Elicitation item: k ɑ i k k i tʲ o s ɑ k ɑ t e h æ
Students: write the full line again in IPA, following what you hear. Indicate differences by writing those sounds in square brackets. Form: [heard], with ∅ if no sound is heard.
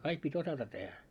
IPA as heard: k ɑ i k [p] i tʲ o s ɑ [t] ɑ t e h æ